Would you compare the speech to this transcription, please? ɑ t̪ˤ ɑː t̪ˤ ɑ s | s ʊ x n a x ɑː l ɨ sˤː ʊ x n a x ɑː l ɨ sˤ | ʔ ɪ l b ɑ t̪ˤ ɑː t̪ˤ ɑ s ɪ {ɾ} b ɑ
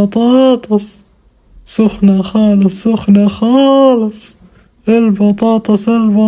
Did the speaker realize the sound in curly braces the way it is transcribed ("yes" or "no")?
no